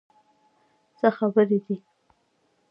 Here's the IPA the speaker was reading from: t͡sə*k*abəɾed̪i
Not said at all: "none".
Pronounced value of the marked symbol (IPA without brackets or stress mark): x